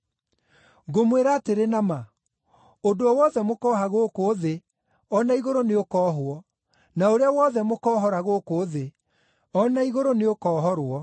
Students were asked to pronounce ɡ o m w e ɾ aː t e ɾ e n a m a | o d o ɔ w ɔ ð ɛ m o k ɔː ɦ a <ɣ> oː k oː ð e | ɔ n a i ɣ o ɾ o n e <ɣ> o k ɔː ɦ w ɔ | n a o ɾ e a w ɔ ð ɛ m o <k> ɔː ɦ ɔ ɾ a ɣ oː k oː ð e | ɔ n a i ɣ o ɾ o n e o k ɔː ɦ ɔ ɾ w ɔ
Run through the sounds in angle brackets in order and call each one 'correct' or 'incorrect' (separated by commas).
correct, incorrect, correct